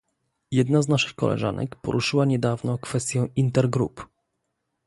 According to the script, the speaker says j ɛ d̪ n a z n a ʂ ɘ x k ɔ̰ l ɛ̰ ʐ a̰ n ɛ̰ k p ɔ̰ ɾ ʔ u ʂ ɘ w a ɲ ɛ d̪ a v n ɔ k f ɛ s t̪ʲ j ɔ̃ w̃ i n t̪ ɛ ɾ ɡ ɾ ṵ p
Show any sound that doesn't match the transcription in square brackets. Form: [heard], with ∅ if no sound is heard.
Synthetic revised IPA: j ɛ d̪ n a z n a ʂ ɘ x k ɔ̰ l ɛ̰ ʐ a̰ n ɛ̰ k p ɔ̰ ɾ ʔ u ʂ ɘ w a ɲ ɛ d̪ a v n ɔ k f ɛ s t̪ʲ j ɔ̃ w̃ i n t̪ ɛ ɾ ɡ ɾ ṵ p